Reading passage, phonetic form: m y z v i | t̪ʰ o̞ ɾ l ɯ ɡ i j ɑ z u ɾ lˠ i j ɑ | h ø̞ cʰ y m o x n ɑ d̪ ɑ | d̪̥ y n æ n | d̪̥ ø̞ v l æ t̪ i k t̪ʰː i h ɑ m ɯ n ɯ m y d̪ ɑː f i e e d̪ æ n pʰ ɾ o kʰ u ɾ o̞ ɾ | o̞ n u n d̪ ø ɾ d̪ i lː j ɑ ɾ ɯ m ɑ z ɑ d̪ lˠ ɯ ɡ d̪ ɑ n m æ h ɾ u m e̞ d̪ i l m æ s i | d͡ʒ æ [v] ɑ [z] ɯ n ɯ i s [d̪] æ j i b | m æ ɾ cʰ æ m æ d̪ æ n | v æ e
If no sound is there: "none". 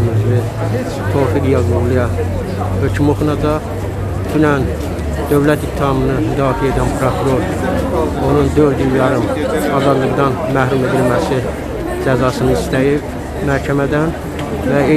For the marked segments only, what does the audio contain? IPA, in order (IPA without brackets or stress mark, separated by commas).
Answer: z, s, t̪